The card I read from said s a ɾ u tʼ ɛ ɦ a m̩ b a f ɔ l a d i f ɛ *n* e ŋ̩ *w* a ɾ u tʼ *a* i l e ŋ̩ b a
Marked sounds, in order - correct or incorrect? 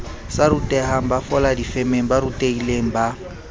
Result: incorrect, incorrect, incorrect

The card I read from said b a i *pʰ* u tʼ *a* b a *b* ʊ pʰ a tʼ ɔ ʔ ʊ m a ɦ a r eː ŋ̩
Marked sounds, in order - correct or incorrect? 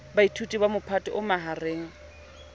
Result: incorrect, incorrect, incorrect

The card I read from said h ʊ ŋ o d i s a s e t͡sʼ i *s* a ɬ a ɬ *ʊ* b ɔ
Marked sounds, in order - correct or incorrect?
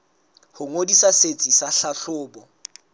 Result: correct, incorrect

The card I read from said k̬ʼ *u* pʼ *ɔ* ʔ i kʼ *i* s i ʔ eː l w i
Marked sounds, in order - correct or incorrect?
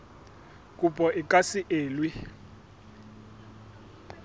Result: correct, correct, incorrect

